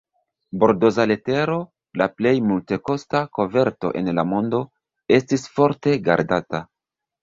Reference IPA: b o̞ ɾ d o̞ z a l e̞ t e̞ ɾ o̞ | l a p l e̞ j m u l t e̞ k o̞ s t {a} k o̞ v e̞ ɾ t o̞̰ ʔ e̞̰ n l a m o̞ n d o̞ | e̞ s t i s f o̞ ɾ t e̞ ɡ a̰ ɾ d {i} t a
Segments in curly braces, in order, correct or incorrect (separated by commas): correct, incorrect